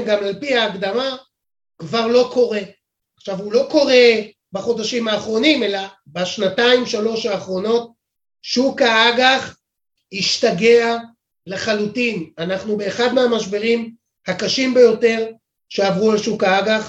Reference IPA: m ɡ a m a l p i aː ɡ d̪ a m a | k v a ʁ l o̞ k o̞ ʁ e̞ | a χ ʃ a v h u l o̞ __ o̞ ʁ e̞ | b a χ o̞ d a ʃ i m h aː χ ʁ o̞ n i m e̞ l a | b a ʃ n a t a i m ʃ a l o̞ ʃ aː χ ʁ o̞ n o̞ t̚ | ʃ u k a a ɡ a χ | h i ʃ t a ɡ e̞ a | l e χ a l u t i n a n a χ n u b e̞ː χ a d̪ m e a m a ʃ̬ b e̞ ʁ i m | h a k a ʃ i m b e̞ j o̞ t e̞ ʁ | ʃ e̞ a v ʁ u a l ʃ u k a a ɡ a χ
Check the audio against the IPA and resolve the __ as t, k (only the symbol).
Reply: k